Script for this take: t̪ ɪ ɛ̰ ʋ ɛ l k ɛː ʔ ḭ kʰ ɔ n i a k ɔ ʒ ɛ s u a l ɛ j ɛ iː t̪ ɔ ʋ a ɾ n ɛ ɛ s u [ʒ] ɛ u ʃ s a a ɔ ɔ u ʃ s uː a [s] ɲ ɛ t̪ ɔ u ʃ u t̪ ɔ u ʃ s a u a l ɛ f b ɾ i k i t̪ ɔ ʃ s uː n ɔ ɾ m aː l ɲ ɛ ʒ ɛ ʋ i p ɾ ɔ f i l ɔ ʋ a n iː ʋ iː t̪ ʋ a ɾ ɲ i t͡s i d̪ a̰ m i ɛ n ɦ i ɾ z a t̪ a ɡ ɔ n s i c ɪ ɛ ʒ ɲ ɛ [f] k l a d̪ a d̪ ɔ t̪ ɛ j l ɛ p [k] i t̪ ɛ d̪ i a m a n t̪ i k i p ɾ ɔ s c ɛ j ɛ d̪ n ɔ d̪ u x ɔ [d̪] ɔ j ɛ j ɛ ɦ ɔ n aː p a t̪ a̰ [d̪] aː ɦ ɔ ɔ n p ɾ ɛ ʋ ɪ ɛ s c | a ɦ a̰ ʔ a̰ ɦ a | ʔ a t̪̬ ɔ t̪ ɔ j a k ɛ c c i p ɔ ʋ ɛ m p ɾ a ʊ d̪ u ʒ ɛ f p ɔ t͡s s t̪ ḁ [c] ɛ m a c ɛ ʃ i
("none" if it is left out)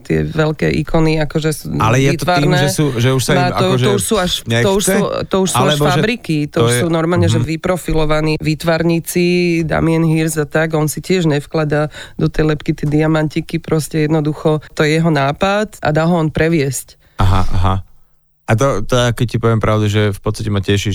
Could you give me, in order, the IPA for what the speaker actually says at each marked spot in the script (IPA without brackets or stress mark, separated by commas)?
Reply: ʒ, ʃ, f, k, t̪, d̪, c